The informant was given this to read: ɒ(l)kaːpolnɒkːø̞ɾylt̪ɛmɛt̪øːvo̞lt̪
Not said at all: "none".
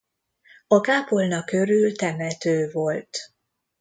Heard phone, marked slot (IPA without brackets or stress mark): none